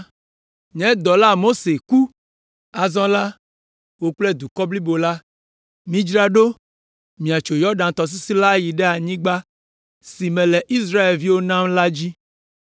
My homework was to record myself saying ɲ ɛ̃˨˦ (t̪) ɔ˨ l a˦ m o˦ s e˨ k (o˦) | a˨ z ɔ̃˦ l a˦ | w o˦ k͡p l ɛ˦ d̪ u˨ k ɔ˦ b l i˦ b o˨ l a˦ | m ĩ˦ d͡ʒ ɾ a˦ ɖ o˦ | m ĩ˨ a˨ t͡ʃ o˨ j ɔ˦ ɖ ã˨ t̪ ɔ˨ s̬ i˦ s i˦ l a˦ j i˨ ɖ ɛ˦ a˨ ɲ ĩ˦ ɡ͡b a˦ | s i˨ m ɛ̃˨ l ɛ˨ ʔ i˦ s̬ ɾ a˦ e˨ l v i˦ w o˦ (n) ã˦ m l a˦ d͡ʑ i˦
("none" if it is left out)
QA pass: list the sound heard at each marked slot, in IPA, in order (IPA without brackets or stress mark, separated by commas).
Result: d̪, u˦, n